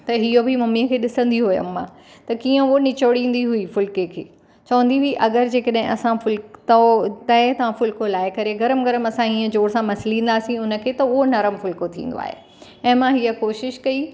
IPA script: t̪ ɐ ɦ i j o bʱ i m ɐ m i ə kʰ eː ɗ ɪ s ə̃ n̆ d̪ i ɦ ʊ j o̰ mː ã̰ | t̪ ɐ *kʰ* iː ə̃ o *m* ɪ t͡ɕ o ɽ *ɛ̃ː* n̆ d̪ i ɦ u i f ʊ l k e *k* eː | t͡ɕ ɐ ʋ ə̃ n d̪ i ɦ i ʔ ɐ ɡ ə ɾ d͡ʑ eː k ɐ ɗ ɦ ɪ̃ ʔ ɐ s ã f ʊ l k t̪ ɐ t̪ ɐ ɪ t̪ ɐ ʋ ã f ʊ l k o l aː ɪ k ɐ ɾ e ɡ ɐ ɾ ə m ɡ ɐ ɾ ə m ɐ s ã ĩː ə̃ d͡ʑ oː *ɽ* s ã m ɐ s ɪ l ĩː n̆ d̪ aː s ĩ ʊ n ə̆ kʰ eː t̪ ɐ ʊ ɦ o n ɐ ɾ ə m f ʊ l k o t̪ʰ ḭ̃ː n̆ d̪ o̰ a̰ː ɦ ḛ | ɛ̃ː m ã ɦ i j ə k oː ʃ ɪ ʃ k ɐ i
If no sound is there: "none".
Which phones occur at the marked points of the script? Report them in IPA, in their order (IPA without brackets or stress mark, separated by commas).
k, n, ĩː, kʰ, ɽ